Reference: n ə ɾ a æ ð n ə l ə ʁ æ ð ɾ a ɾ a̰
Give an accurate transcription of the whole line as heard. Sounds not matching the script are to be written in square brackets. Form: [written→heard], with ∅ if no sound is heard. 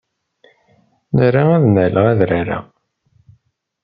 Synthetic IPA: n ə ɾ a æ ð n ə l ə ʁ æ ð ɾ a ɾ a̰

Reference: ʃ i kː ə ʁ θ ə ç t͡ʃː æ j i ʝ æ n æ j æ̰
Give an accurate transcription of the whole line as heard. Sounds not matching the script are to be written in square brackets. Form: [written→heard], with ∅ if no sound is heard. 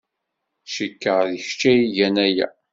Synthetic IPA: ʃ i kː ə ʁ [θ→ð] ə ç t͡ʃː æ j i ʝ æ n æ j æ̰

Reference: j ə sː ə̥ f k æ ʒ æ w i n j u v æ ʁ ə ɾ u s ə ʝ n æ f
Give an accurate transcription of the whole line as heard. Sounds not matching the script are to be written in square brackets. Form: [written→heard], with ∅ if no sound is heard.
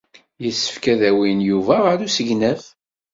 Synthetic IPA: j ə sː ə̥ f k æ [ʒ→ð] æ w i n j u v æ ʁ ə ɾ u s ə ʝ n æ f

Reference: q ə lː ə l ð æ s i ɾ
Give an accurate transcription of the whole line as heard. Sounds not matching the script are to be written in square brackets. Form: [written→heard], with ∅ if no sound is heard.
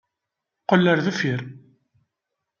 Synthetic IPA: q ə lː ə [l→ɾ] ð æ [s→f] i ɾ

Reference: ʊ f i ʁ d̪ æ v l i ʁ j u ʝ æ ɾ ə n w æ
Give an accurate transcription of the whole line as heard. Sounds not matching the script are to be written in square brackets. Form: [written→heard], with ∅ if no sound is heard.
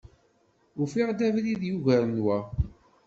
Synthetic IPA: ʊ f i ʁ d̪ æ v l i [ʁ→ð] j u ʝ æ ɾ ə n w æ

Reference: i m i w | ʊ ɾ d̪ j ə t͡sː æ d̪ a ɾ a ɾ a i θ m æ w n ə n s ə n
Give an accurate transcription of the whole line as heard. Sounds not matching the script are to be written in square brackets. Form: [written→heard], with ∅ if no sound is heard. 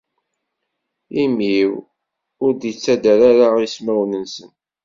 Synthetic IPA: i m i w | ʊ ɾ d̪ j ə t͡sː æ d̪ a ɾ a ɾ a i [θ→s] m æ w n ə n s ə n

